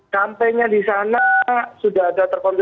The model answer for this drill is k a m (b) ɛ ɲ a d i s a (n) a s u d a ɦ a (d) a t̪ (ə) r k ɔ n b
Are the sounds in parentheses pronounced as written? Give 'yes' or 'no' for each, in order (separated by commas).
no, yes, yes, yes